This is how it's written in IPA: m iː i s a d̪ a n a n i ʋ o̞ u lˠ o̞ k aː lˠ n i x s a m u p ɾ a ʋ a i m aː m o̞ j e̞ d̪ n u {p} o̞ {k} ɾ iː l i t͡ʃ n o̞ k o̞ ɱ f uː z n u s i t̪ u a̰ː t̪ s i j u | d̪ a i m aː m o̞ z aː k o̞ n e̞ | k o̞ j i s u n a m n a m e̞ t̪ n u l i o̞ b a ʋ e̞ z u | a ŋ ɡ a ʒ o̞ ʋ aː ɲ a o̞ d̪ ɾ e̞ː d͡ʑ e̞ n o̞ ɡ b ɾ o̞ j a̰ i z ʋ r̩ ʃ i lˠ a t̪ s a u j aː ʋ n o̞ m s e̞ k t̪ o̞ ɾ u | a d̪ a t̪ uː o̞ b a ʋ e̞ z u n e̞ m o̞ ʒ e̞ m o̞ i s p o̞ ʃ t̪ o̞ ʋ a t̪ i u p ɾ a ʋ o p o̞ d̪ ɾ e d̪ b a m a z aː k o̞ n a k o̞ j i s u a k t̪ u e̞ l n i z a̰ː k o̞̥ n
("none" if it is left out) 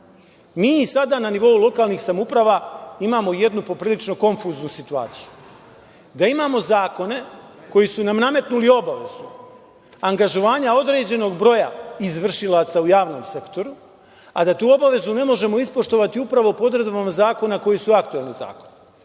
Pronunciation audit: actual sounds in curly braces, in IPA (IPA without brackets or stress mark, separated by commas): p, p